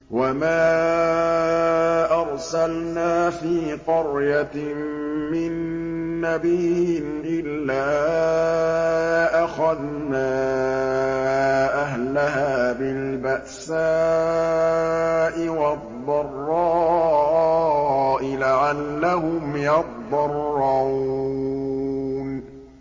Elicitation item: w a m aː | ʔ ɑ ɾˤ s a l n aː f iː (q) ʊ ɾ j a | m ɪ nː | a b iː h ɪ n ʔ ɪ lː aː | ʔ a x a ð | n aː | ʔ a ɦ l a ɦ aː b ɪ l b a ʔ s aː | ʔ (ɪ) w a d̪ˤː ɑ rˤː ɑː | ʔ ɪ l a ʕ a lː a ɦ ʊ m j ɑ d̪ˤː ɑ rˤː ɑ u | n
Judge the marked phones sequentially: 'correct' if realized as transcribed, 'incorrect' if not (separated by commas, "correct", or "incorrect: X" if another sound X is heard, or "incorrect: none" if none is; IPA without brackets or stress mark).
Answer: correct, correct